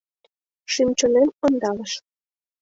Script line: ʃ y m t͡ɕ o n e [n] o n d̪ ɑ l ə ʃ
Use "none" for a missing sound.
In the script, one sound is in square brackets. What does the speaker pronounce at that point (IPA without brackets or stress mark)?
m